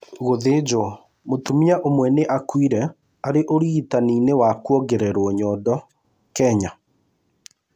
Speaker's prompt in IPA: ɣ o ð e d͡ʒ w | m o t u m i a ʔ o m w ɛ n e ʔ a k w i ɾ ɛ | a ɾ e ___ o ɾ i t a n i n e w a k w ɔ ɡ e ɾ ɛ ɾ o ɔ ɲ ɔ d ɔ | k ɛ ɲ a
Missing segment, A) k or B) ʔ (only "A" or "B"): B